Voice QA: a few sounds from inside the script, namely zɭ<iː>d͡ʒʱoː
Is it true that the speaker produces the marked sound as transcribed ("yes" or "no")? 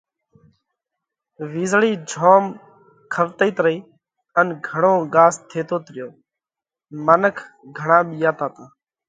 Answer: yes